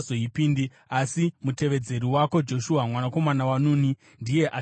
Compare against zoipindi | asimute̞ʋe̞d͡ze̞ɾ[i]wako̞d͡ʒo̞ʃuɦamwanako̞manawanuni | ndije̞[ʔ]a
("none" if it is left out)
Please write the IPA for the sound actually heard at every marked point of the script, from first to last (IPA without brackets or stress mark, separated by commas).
i, ʔ